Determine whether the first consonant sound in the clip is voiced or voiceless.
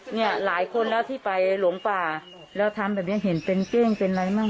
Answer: voiced